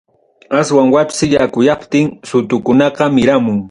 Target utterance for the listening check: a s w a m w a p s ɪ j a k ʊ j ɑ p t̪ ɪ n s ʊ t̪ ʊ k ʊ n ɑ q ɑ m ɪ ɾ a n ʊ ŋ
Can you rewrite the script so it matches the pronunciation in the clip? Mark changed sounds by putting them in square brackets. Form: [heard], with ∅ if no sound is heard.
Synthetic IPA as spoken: a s w a [ŋ] w a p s ɪ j a k ʊ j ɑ p t̪ ɪ [ŋ] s ʊ t̪ ʊ k ʊ n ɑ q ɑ m ɪ ɾ a [m] ʊ ŋ